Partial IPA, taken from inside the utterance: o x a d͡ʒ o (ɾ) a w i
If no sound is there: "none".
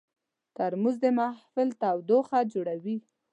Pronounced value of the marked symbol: ɽ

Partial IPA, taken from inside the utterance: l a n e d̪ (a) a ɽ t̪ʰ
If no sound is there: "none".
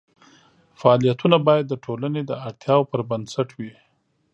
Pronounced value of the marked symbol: ə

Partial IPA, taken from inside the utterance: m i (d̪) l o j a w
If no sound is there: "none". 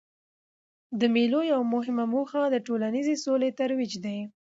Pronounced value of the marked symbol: none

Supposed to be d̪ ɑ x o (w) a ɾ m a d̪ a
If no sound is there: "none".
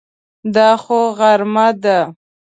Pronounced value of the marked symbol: ɣ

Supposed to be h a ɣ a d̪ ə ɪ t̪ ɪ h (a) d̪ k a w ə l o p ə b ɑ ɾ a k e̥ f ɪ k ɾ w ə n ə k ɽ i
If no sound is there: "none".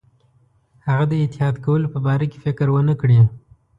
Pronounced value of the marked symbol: ɑ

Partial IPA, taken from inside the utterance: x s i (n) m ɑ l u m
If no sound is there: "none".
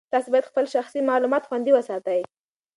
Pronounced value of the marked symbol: none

